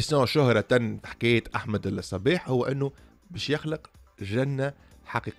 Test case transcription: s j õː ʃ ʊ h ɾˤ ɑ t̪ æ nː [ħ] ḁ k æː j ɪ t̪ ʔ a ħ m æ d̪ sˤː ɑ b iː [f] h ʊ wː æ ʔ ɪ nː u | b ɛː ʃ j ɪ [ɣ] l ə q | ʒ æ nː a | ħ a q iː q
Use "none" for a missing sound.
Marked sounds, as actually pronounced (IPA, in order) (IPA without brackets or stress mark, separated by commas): ħ, ħ, x